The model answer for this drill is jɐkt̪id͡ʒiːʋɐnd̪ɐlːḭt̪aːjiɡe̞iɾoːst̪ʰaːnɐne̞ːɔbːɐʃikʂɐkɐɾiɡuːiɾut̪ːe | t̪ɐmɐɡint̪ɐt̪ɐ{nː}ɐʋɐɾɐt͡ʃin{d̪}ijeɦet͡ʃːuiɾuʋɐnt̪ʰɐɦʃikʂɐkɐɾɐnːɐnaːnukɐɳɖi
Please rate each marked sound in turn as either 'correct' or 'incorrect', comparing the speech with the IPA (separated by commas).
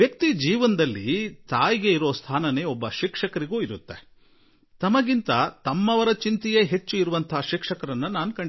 incorrect, incorrect